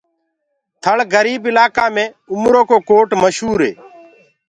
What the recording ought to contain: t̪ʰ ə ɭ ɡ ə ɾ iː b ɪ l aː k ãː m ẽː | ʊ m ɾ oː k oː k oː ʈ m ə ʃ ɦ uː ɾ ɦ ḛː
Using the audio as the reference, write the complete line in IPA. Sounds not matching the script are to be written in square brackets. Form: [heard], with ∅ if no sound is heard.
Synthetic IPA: t̪ʰ ə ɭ ɡ ə ɾ iː b ɪ l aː k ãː m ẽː | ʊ m ɾ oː k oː k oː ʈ m ə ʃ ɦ uː ɾ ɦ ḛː